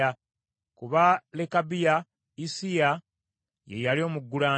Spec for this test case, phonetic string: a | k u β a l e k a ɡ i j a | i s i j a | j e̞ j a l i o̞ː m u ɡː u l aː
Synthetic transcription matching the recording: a | k u β a l e k a b i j a | i s i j a | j e̞ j a l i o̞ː m u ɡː u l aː

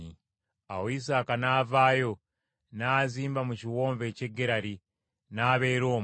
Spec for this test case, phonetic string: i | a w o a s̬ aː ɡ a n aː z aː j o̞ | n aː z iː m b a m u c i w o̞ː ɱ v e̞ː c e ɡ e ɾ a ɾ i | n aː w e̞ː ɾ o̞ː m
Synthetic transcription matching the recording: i | a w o i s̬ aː k a n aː v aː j o̞ | n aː z iː m b a m u c i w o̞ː ɱ v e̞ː c e ɡ e ɾ a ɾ i | n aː β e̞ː ɾ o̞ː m

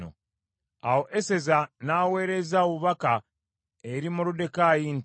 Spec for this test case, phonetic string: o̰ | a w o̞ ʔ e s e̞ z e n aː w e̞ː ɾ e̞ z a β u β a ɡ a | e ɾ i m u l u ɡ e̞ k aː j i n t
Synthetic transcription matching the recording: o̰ | a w o̞ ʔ e s e̞ z a n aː w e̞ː ɾ e̞ z a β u β a k a | e ɾ i m u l u d e̞ k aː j i n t

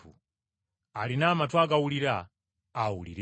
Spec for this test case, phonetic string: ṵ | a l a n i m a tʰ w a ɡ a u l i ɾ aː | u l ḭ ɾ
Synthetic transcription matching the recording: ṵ | a l i n a m a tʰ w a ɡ a u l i ɾ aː | u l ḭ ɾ

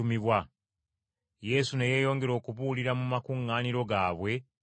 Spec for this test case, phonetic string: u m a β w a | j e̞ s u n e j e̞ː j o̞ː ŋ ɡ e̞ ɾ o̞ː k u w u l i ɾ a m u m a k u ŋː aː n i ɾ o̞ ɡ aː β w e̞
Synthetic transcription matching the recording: u m i β w a | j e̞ s u n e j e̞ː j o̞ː ŋ ɡ e̞ ɾ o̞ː k u β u l i ɾ a m u m a k u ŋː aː n i ɾ o̞ ɡ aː β w e̞

